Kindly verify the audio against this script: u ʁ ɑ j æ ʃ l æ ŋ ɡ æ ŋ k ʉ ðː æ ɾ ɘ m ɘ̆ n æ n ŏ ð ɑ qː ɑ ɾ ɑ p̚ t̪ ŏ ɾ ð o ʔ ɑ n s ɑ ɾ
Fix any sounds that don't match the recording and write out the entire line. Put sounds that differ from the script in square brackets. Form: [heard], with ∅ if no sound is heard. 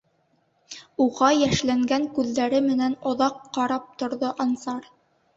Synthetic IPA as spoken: u ʁ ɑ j æ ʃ l æ ŋ ɡ æ ŋ k ʉ ðː æ ɾ ɘ m ɘ̆ n æ n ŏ ð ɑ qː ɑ ɾ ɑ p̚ t̪ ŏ ɾ ð o ʔ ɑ n s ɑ ɾ